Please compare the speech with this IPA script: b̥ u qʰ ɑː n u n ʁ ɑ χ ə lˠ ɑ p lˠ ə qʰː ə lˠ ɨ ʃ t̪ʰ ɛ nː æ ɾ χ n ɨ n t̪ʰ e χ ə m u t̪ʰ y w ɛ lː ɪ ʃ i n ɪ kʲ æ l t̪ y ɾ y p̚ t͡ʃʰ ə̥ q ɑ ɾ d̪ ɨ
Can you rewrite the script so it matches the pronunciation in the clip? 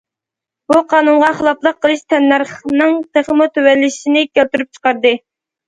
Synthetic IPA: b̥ u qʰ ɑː n u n ʁ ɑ χ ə lˠ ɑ p lˠ ə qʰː ə lˠ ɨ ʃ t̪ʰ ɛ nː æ ɾ χ n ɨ ŋ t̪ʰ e χ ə m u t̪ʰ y w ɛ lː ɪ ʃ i n ɪ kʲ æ l t̪ y ɾ y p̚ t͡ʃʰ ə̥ q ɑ ɾ d̪ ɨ